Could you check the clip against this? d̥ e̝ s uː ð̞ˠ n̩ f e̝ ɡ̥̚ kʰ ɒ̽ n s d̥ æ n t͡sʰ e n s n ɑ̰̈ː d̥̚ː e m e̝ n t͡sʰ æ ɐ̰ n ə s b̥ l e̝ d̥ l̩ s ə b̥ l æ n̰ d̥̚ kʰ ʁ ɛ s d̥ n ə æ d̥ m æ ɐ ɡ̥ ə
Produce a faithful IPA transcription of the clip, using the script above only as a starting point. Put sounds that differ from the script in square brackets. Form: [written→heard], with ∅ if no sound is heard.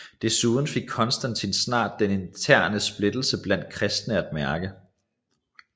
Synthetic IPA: d̥ e̝ s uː ð̞ˠ n̩ f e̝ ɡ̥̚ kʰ ɒ̽ n s d̥ æ n t͡sʰ [e→i] n s n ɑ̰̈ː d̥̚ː e [m→n] e̝ n t͡sʰ æ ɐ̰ n ə s b̥ l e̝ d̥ l̩ s ə b̥ l æ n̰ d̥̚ kʰ ʁ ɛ s d̥ n ə æ d̥ m æ ɐ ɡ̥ ə